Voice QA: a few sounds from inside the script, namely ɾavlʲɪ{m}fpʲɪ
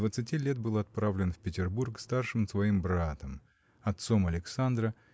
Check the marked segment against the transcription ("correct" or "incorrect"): incorrect